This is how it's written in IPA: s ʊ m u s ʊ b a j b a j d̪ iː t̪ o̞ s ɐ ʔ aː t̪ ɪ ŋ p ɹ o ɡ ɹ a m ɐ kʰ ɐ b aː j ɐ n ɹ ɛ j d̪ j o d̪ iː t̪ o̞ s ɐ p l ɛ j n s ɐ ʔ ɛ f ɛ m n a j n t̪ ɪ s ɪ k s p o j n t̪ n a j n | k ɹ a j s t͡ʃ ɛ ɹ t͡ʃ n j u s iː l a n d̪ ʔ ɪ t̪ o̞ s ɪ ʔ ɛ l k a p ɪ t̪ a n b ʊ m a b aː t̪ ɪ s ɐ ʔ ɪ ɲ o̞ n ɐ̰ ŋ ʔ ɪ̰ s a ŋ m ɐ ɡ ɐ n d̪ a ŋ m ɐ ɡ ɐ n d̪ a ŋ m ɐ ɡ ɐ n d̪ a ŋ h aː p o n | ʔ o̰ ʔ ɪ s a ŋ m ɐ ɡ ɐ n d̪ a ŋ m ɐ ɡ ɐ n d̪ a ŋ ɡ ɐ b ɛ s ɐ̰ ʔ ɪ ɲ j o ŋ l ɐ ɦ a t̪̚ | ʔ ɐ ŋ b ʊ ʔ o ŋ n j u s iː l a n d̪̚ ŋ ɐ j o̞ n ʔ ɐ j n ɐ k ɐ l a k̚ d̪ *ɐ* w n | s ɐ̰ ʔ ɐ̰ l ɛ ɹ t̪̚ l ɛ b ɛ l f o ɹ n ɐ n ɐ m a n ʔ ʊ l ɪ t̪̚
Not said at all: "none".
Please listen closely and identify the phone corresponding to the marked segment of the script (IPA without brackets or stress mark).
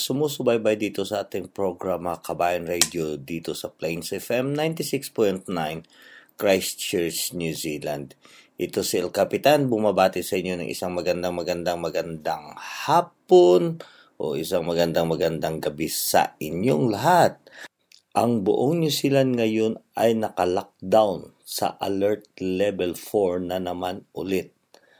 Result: a